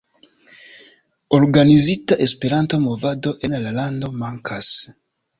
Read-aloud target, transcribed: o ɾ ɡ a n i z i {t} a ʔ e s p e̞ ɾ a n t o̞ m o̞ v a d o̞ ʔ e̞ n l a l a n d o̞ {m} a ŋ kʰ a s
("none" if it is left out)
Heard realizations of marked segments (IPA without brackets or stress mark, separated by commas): t, m